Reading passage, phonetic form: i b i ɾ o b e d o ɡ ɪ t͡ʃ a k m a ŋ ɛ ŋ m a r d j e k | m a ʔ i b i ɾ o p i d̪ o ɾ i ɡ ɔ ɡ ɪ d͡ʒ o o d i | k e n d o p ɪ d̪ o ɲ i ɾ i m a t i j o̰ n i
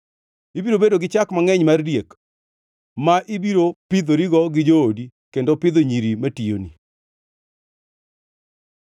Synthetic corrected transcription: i b i ɾ o b e d o ɡ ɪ t͡ʃ a k m a ŋ ɛ ɲ m a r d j e k | m a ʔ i b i ɾ o p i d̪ o ɾ i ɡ ɔ ɡ ɪ d͡ʒ o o d i | k e n d o p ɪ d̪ o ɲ i ɾ i m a t i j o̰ n i